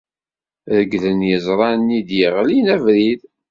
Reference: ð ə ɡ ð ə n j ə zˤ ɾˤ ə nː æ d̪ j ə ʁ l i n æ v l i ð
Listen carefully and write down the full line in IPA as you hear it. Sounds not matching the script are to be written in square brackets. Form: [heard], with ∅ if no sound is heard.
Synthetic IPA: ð ə ɡ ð ə n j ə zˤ ɾˤ [ɑ] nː [i] d̪ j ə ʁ l i n æ v [ɾ] i ð